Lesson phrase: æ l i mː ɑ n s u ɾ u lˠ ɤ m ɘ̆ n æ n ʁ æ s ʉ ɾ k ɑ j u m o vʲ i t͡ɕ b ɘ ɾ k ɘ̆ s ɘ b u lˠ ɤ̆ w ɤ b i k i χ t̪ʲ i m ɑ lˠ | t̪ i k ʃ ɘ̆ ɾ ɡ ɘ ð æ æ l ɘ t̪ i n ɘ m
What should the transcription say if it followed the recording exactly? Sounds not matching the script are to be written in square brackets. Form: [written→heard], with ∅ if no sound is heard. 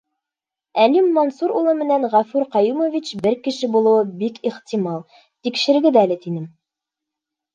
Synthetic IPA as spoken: æ l i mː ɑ n s u ɾ u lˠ ɤ m ɘ̆ n æ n ʁ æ [s→f] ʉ ɾ [k→q] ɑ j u m o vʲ i t͡ɕ b ɘ ɾ k ɘ̆ [s→ʃ] ɘ b u lˠ ɤ̆ w ɤ b i k i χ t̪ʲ i m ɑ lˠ | t̪ i k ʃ ɘ̆ ɾ ɡ ɘ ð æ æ l ɘ t̪ i n ɘ m